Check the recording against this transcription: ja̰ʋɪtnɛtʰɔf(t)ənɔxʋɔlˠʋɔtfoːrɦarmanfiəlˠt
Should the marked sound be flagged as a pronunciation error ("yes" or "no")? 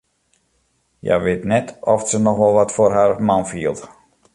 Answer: yes